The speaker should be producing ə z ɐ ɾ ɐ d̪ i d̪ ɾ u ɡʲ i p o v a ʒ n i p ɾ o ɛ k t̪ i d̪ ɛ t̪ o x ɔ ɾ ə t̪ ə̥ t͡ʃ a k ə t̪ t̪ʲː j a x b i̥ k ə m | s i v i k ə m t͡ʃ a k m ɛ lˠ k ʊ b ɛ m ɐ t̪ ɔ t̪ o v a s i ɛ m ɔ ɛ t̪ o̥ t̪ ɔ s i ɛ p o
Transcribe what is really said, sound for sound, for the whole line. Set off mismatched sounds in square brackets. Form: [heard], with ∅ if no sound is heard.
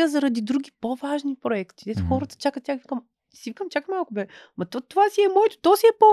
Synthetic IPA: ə z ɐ ɾ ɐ d̪ i d̪ ɾ u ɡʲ i p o v a ʒ n i p ɾ o ɛ k t̪ i d̪ ɛ t̪ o x ɔ ɾ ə t̪ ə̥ t͡ʃ a k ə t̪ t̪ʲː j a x [v] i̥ k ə m | s i v i k ə m t͡ʃ a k m [a] lˠ k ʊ b ɛ m ɐ t̪ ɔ t̪ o v a s i ɛ m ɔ ɛ t̪ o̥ t̪ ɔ s i ɛ p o